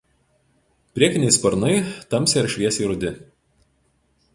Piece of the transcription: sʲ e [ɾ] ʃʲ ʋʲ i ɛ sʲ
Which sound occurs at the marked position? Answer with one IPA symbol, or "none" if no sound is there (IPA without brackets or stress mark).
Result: ɾ